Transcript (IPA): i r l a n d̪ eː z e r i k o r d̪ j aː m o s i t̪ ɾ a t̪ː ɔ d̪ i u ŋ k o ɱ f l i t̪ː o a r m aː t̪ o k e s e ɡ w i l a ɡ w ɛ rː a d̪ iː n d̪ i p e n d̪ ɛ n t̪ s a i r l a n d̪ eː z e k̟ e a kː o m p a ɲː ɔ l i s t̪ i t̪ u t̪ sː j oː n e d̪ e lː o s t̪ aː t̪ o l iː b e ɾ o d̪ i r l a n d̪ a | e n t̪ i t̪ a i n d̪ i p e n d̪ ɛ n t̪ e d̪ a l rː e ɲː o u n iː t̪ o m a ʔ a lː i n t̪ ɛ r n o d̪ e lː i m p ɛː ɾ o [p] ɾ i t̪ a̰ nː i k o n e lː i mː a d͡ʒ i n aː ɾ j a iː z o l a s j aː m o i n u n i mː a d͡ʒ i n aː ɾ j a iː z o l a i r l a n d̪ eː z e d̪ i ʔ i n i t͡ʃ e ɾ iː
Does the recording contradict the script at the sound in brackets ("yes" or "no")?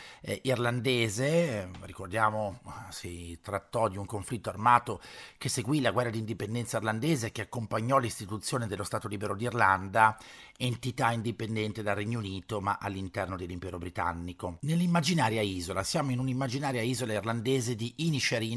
yes